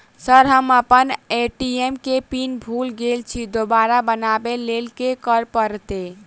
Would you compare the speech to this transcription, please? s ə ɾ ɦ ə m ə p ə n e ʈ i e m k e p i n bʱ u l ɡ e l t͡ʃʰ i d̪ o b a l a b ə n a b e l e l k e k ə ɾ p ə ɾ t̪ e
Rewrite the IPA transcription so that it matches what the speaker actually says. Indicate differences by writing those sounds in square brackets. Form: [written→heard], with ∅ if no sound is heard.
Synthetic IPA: s ə ɾ ɦ ə m ə p ə n e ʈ i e m k e p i n bʱ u l ɡ e l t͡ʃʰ i d̪ o b a [l→ɾ] a b ə n a b e l e l k e k ə ɾ p ə ɾ t̪ e